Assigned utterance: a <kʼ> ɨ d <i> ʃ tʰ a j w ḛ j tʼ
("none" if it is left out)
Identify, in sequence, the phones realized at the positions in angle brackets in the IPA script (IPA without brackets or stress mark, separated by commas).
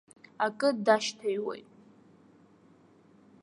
kʼ, a